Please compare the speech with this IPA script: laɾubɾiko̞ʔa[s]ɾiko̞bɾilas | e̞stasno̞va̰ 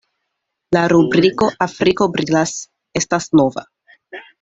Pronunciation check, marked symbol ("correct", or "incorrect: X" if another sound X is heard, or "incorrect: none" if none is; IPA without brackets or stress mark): incorrect: f